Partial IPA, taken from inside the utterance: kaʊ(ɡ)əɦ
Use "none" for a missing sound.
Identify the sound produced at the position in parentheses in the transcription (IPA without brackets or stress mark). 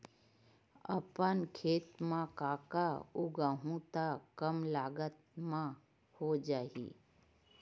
ɡ